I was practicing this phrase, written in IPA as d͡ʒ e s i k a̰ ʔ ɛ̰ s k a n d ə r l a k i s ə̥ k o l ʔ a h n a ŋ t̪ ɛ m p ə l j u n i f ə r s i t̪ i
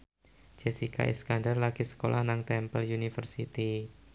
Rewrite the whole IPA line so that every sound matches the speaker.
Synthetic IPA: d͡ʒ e s i k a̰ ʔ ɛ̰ s k a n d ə r l a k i s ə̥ k o l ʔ a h n a ŋ t̪ ɛ m p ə l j u n i f ə r s i t̪ i

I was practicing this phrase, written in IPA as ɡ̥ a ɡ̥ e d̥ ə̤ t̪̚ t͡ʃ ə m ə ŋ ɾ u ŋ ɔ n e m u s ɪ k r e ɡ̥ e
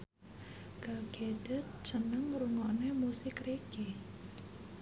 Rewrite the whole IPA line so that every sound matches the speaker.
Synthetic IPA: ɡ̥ a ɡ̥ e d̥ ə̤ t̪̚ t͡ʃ ə n ə ŋ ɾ u ŋ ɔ n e m u s ɪ k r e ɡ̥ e

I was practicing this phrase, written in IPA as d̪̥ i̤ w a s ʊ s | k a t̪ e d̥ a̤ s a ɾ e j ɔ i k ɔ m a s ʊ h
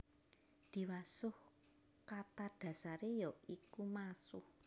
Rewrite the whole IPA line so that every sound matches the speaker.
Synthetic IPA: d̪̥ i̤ w a s ʊ h | k a t̪ a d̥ a̤ s a ɾ e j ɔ i k u m a s ʊ h

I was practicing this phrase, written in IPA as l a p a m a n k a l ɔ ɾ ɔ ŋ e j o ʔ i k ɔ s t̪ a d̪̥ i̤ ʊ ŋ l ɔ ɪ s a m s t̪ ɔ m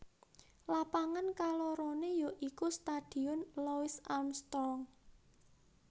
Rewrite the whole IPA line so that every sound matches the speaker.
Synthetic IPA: l a p a ŋ a n k a l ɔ ɾ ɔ n e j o ʔ i k u s t̪ a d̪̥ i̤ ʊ n l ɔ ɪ s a m s t̪ ɔ ŋ

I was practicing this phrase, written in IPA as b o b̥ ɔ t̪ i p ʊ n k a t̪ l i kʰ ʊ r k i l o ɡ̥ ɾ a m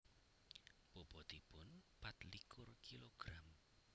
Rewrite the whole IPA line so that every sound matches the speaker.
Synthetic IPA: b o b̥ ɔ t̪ i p ʊ n p a t̪ l i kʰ ʊ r k i l o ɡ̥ ɾ a m

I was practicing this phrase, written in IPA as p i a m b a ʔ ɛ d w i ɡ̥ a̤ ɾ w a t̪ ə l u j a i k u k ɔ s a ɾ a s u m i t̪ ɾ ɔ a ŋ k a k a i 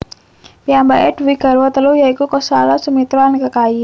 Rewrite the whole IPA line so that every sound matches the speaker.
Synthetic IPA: p i a m b a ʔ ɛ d w i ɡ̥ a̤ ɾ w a t̪ ə l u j a i k u k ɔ s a l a s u m i t̪ ɾ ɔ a n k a k a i

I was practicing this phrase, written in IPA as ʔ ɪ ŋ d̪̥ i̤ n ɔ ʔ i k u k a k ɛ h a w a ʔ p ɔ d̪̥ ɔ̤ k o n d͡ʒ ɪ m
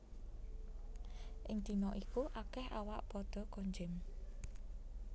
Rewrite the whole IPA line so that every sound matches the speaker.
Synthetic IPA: ʔ ɪ ŋ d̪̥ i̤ n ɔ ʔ i k u ʔ a k ɛ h a w a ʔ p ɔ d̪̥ ɔ̤ k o ɲ d͡ʒ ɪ m

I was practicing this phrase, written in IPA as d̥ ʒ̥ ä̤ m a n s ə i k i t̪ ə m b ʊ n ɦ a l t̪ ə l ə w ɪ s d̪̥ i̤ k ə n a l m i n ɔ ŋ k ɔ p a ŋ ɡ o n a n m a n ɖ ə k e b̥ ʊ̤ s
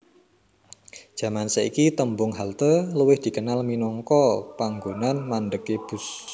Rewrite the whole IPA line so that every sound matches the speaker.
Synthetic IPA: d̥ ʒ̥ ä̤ m a n s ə i k i t̪ ə m b ʊ ŋ ɦ a l t̪ ə l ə w ɪ h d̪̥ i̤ k ə n a l m i n ɔ ŋ k ɔ p a ŋ ɡ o n a n m a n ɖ ə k e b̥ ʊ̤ s

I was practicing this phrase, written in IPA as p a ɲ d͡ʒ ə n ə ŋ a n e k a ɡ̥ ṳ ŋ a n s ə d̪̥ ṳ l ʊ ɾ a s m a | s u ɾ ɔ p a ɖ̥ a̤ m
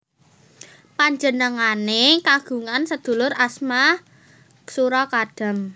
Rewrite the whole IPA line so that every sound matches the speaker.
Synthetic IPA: p a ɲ d͡ʒ ə n ə ŋ a n e k a ɡ̥ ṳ ŋ a n s ə d̪̥ ṳ l ʊ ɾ a s m a | s u ɾ ɔ k a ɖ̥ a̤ m

